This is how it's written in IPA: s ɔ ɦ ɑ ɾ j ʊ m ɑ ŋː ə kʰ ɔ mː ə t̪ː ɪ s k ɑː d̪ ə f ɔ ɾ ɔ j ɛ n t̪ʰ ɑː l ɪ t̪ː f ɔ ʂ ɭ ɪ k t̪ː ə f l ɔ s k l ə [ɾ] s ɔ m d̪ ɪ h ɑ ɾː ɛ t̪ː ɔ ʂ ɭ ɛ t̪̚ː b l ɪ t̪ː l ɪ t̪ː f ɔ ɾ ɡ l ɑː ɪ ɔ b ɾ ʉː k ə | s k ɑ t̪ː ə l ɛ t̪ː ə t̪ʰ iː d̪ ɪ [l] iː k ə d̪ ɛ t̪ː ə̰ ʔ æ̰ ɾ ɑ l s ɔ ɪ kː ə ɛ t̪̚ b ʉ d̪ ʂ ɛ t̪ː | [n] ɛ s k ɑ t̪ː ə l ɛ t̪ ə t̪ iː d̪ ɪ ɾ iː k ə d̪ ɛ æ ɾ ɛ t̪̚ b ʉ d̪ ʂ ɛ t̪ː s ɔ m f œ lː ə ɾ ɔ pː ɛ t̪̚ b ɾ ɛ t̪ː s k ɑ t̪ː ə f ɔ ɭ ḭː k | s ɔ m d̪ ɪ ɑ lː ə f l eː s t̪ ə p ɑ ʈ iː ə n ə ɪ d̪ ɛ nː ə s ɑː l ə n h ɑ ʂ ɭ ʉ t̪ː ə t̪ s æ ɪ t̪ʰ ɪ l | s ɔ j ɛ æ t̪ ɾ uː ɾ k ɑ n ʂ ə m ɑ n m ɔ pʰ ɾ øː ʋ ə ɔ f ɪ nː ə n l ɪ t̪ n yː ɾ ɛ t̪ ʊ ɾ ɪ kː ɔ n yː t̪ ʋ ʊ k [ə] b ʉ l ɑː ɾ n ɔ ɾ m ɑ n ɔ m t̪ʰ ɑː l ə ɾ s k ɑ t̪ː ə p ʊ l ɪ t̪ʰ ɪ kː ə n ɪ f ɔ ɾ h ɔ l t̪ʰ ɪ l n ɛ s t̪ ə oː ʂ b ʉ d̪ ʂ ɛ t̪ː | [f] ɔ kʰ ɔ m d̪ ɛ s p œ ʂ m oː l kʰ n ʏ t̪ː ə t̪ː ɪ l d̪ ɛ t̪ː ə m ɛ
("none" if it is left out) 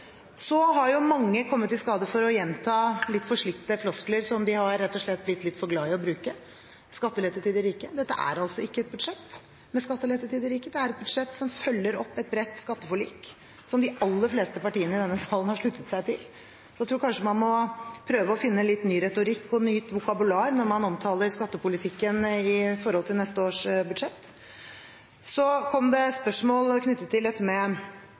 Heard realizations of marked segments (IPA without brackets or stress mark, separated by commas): ɾ, ɾ, m, ɑ, s